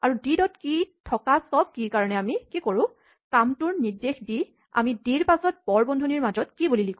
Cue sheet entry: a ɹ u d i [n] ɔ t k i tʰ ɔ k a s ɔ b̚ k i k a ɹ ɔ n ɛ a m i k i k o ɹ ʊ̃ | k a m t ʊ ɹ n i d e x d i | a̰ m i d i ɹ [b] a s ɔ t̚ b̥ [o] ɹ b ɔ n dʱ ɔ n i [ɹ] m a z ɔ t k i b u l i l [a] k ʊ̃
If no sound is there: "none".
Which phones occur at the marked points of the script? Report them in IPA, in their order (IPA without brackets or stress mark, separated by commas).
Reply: d, p, ɔ, ɹ, i